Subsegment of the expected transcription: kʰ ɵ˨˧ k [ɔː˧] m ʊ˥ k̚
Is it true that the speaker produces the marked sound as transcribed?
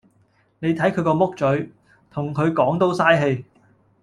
yes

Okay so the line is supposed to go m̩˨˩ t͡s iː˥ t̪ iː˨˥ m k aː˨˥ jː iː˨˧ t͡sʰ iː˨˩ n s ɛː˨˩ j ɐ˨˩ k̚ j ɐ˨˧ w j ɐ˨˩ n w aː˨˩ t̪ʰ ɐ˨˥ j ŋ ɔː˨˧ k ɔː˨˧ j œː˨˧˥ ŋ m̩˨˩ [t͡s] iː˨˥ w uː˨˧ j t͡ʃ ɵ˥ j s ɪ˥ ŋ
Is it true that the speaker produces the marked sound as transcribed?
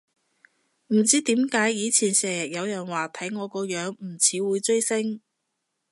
no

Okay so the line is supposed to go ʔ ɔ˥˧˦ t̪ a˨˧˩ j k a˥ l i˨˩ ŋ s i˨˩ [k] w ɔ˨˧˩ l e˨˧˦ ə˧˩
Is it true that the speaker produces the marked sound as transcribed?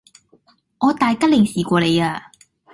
yes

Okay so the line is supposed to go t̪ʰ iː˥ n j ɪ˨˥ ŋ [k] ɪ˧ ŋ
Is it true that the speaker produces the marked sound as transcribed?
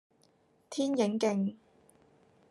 yes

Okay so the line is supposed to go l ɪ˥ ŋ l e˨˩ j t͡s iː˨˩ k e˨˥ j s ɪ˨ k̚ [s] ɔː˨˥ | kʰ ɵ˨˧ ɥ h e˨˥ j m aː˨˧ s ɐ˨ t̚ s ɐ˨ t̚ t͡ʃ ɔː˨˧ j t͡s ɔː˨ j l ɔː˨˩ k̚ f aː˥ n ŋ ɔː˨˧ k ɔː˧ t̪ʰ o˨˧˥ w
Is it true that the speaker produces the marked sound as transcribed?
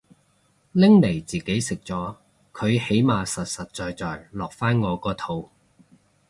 no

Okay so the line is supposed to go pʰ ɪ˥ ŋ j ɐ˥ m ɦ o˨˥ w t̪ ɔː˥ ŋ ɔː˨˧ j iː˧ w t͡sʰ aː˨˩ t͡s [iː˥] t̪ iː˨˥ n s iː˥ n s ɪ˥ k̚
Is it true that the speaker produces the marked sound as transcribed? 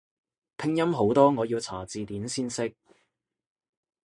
no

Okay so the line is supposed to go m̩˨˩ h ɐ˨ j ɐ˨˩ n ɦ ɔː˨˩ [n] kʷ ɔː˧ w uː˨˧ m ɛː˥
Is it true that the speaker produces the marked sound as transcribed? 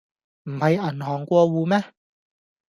no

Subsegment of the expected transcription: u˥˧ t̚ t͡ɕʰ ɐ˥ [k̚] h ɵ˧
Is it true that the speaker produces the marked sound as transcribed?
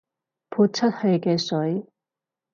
no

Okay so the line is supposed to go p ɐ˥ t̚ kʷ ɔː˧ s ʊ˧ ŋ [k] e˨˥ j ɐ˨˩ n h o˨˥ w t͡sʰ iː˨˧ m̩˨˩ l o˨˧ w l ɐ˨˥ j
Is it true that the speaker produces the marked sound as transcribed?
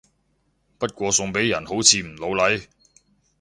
no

